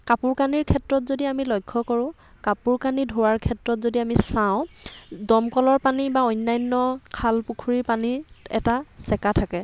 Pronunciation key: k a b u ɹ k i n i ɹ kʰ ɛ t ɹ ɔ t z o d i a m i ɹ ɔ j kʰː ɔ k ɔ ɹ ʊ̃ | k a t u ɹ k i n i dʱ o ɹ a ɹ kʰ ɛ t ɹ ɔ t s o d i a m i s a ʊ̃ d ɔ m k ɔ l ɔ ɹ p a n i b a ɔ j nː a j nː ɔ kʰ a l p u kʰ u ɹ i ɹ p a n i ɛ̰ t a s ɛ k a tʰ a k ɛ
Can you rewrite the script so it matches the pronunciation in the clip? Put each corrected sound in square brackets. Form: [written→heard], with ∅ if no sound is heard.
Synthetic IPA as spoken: k a [b→p] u ɹ k [i→a] n i ɹ kʰ ɛ t ɹ ɔ t z o d i a m i [ɹ→l] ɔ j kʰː ɔ k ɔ ɹ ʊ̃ | k a [t→p] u ɹ k [i→a] n i dʱ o ɹ a ɹ kʰ ɛ t ɹ ɔ t [s→z] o d i a m i s a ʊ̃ d ɔ m k ɔ l ɔ ɹ p a n i b a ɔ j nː a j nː ɔ kʰ a l p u kʰ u ɹ i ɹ p a n i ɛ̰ t a s ɛ k a tʰ a k ɛ